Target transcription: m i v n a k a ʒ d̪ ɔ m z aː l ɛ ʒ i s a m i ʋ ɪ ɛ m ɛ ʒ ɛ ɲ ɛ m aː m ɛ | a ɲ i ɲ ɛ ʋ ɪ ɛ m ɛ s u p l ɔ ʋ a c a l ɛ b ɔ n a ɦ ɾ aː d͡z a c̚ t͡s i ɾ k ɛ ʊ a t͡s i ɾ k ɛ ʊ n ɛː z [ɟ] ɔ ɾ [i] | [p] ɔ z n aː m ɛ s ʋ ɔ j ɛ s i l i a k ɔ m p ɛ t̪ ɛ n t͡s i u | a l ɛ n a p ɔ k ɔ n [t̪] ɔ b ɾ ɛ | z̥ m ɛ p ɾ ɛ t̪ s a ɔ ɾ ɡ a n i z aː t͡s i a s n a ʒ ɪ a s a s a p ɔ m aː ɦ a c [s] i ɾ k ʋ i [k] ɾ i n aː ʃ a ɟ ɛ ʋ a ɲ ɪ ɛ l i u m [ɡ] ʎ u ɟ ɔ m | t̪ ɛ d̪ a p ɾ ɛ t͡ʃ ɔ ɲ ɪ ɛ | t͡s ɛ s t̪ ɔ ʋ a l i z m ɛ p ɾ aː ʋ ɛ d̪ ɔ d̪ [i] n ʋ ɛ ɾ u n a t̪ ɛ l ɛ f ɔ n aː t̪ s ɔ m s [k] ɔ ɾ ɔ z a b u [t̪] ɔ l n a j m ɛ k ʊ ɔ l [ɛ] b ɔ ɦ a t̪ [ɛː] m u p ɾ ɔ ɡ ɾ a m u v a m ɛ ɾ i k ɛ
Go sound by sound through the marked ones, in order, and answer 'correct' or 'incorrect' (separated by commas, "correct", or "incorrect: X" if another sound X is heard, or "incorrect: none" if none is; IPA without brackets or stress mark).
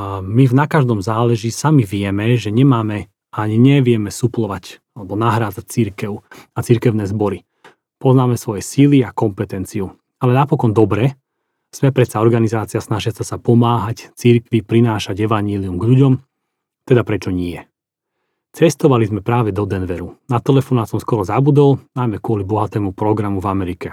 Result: incorrect: b, correct, correct, incorrect: d̪, incorrect: t͡s, incorrect: p, correct, incorrect: ɛ, correct, incorrect: d̪, incorrect: i, correct